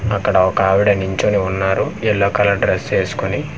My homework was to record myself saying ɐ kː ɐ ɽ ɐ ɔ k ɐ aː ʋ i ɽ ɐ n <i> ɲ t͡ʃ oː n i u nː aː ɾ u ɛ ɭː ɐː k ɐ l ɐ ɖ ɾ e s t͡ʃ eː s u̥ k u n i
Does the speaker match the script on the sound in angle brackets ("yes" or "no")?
yes